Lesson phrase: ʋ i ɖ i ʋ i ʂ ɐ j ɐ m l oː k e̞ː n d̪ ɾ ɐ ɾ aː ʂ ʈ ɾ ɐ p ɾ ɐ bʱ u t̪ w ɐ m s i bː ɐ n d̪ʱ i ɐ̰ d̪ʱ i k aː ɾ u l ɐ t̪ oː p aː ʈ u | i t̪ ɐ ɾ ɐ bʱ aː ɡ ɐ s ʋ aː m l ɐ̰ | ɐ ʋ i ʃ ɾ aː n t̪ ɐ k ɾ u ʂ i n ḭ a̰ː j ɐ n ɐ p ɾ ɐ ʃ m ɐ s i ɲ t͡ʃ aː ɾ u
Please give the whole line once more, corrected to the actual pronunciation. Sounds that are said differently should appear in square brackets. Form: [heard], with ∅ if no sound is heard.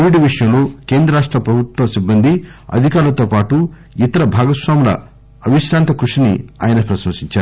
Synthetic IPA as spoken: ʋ i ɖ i ʋ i ʂ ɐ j ɐ m l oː k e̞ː n d̪ ɾ ɐ ɾ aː ʂ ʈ ɾ ɐ p ɾ ɐ bʱ u t̪ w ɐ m s i bː ɐ n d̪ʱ i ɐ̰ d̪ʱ i k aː ɾ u l ɐ t̪ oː p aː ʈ u | i t̪ ɐ ɾ ɐ bʱ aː ɡ ɐ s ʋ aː m l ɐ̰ | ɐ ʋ i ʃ ɾ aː n t̪ ɐ k ɾ u ʂ i n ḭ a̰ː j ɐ n ɐ p ɾ ɐ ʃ m ɐ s i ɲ t͡ʃ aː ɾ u

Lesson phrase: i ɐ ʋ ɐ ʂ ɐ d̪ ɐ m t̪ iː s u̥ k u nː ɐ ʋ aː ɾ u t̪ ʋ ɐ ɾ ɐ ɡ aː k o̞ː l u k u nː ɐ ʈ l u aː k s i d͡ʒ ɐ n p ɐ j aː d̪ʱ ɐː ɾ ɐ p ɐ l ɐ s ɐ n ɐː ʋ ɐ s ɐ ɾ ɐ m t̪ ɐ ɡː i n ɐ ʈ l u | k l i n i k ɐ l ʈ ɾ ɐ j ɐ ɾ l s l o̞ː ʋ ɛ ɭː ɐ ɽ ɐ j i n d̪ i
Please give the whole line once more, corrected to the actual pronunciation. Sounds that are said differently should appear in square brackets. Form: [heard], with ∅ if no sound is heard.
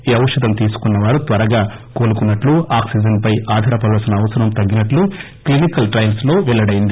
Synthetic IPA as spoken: i ɐ ʋ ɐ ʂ ɐ d̪ ɐ m t̪ iː s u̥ k u nː ɐ ʋ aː ɾ u t̪ ʋ ɐ ɾ ɐ ɡ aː k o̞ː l u k u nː ɐ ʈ l u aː k s i d͡ʒ ɐ n p ɐ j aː d̪ʱ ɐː ɾ ɐ p ɐ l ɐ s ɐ n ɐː ʋ ɐ s ɐ ɾ ɐ m t̪ ɐ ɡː i n ɐ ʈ l u | k l i n i k ɐ l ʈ ɾ ɐ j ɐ [∅] l s l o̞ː ʋ ɛ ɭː ɐ ɽ ɐ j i n d̪ i

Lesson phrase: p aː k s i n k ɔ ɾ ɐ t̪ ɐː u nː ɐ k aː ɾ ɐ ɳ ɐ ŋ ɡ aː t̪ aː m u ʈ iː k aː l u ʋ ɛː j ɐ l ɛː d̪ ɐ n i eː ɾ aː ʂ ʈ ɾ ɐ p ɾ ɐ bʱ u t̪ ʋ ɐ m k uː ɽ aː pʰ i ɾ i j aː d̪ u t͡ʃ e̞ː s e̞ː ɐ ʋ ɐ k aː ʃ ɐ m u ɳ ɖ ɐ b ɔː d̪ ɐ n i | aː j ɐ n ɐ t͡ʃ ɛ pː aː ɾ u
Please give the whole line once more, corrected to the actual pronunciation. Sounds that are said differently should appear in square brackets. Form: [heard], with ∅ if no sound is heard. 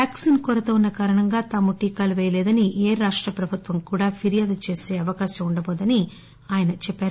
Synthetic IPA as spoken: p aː k s i n k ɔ ɾ ɐ t̪ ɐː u nː ɐ k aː ɾ ɐ ɳ ɐ ŋ ɡ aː t̪ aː m u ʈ iː k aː l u ʋ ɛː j ɐ l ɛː d̪ ɐ n i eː ɾ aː ʂ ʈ ɾ ɐ p ɾ ɐ bʱ u t̪ ʋ ɐ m k uː ɽ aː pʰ i ɾ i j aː d̪ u t͡ʃ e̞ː s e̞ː ɐ ʋ ɐ k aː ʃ ɐ m u ɳ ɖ ɐ b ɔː d̪ ɐ n i | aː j ɐ n ɐ t͡ʃ ɛ pː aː ɾ u

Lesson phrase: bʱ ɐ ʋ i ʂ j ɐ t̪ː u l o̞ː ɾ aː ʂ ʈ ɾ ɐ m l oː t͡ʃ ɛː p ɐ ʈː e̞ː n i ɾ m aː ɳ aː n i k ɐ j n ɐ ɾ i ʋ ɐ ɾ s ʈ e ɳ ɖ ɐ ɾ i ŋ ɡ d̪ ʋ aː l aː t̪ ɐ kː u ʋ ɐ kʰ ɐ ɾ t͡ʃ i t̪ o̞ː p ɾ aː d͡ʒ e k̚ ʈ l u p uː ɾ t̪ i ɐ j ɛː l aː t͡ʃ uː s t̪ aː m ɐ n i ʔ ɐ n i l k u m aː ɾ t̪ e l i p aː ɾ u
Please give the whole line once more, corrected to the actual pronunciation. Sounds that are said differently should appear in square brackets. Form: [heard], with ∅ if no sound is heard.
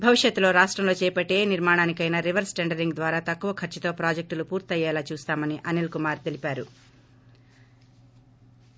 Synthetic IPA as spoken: bʱ ɐ ʋ i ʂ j ɐ t̪ː u l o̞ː ɾ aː ʂ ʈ ɾ ɐ m l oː t͡ʃ ɛː p ɐ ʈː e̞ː n i ɾ m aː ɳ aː n i k ɐ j n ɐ ɾ i ʋ ɐ ɾ s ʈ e ɳ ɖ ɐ ɾ i ŋ ɡ d̪ ʋ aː [ɾ] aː t̪ ɐ kː u ʋ ɐ kʰ ɐ ɾ t͡ʃ i t̪ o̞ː p ɾ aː d͡ʒ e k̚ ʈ l u p uː ɾ t̪ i ɐ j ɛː l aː t͡ʃ uː s t̪ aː m ɐ n i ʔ ɐ n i l k u m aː ɾ t̪ e l i p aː ɾ u

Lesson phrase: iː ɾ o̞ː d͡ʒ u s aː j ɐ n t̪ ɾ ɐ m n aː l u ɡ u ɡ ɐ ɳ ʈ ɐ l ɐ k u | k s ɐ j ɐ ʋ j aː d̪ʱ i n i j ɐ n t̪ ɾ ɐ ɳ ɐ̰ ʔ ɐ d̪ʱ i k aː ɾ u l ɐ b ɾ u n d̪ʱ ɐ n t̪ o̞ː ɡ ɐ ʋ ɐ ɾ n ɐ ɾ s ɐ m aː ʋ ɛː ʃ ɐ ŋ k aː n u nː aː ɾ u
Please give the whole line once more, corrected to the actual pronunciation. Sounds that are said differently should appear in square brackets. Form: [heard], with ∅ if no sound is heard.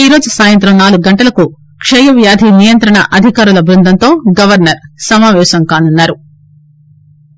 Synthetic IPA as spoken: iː ɾ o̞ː d͡ʒ u s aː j ɐ n t̪ ɾ ɐ m n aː l u ɡ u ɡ ɐ ɳ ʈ ɐ l ɐ k u | k [ʂ] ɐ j ɐ ʋ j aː d̪ʱ i n i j ɐ n t̪ ɾ ɐ ɳ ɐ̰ ʔ ɐ d̪ʱ i k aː ɾ u l ɐ b ɾ u n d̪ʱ ɐ n t̪ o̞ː ɡ ɐ ʋ ɐ ɾ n ɐ ɾ s ɐ m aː ʋ ɛː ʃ ɐ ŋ k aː n u nː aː ɾ u

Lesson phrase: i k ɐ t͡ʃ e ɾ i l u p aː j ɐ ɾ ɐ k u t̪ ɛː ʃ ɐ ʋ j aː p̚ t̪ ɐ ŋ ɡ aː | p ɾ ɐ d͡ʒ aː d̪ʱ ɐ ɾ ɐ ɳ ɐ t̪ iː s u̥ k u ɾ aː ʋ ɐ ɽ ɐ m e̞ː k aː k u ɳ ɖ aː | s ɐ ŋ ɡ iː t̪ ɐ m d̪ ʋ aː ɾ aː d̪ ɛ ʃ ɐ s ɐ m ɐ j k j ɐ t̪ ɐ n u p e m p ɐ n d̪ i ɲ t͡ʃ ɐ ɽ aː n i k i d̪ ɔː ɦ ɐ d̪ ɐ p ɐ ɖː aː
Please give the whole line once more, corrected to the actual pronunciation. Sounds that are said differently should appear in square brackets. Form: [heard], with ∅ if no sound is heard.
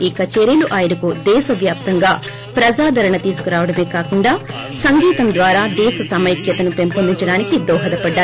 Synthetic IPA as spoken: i k ɐ t͡ʃ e ɾ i l u [ʔ] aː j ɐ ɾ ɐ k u [d̪] ɛː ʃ ɐ ʋ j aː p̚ t̪ ɐ ŋ ɡ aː | p ɾ ɐ d͡ʒ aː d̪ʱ ɐ ɾ ɐ ɳ ɐ t̪ iː s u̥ k u ɾ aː ʋ ɐ ɽ ɐ m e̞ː k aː k u ɳ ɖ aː | s ɐ ŋ ɡ iː t̪ ɐ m d̪ ʋ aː ɾ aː d̪ [ɛː] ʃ ɐ s ɐ m ɐ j k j ɐ t̪ ɐ n u p e m p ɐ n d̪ i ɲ t͡ʃ ɐ ɽ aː n i k i d̪ ɔː ɦ ɐ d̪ ɐ p ɐ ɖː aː

